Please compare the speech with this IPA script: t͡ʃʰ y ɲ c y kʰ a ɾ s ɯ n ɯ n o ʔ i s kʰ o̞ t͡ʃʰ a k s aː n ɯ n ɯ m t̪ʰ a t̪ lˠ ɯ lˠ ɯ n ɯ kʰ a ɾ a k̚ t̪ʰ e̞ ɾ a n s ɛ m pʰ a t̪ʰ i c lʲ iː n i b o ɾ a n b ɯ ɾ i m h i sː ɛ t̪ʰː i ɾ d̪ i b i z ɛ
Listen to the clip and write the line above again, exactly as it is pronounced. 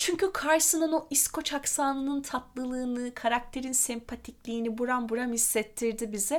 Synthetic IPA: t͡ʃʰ y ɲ c y kʰ a ɾ s ɯ n ɯ n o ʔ i s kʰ o̞ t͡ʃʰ a k s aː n ɯ n ɯ n t̪ʰ a t̪ lˠ ɯ lˠ ɯː n ɯ kʰ a ɾ a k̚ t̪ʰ e̞ ɾ i n s ɛ m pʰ a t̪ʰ i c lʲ iː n i b u ɾ a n b u ɾ a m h i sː ɛ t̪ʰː i ɾ d̪ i b i z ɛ